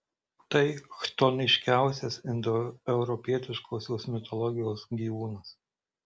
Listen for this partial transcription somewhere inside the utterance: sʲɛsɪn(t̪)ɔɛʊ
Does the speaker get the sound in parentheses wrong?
yes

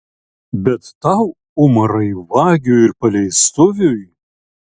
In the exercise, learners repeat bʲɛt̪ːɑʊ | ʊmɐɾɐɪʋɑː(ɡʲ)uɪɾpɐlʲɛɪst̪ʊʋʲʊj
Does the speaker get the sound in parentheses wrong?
no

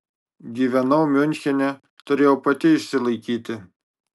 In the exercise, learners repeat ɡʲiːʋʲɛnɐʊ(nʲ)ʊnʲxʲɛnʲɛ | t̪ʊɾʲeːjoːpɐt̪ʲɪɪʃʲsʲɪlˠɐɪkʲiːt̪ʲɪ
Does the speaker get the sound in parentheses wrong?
yes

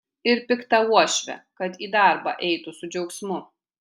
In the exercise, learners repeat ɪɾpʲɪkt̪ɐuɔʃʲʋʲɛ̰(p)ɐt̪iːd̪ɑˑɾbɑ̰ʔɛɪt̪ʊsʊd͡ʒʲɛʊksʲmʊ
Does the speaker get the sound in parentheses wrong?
yes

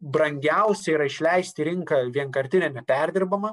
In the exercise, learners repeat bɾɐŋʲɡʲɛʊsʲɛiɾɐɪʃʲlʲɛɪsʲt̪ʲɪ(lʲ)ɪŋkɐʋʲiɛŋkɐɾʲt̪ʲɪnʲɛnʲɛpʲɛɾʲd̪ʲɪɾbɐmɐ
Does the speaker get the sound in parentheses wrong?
yes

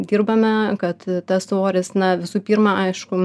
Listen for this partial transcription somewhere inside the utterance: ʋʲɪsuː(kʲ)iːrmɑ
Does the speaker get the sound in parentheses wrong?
yes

